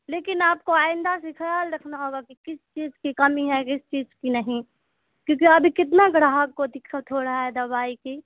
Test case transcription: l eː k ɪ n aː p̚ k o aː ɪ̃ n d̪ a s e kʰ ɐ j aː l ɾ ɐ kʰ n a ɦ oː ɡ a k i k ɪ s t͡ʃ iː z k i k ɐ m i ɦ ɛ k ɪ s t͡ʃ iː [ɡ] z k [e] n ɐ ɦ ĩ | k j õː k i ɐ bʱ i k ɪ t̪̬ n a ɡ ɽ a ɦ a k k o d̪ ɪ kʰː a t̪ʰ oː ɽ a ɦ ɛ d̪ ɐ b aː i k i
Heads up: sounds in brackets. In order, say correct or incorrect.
incorrect, incorrect

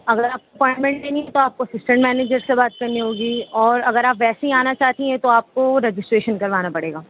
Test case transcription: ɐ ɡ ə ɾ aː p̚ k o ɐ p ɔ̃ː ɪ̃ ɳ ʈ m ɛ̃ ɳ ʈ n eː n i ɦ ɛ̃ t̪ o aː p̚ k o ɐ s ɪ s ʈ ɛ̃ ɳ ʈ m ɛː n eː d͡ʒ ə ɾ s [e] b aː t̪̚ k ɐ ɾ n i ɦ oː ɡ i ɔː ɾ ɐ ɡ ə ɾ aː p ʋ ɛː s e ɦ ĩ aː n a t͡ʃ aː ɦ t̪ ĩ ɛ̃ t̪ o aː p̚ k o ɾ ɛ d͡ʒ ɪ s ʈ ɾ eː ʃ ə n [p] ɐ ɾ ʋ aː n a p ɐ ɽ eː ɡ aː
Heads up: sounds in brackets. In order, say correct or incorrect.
correct, incorrect

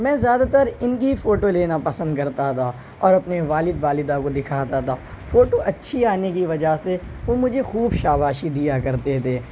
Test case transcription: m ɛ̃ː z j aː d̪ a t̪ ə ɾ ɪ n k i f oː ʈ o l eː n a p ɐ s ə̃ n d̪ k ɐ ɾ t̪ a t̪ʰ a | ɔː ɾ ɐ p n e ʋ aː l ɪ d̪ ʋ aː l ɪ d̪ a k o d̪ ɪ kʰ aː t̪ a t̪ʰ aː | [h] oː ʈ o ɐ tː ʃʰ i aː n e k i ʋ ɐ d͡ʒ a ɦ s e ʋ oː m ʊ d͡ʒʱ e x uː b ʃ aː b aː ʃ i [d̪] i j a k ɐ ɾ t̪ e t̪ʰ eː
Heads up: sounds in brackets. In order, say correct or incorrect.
incorrect, correct

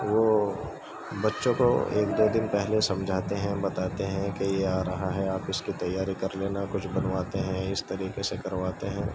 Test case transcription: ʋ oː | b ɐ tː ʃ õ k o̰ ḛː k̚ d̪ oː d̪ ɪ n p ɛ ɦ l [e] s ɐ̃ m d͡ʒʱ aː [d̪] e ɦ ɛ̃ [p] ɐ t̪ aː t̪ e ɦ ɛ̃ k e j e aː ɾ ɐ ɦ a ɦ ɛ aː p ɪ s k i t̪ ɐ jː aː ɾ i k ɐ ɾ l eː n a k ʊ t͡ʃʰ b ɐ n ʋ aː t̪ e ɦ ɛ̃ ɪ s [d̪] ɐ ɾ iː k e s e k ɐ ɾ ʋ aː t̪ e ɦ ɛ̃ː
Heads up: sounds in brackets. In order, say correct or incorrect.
correct, incorrect, incorrect, incorrect

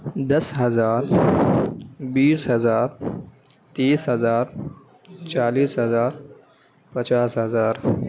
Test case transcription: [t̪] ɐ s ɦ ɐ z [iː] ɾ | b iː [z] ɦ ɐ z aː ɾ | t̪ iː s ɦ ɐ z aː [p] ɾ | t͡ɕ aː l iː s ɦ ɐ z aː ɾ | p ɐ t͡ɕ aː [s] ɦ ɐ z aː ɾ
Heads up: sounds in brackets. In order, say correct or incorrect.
incorrect, incorrect, incorrect, incorrect, correct

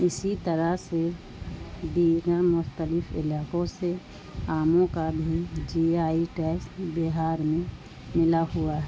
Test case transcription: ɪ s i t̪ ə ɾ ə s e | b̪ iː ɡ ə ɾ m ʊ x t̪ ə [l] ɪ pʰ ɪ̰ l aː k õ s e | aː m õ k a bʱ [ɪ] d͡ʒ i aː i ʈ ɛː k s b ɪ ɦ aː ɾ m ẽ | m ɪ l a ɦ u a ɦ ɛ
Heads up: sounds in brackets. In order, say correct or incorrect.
correct, incorrect

